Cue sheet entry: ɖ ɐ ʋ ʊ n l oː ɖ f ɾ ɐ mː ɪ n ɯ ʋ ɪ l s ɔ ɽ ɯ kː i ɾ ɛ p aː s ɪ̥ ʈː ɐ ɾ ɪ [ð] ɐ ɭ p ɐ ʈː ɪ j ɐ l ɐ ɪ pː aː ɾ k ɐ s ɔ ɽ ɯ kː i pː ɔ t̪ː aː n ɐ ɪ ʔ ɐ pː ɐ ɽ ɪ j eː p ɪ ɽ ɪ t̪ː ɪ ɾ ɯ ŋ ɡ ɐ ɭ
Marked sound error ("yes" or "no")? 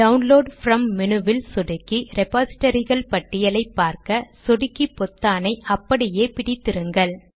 yes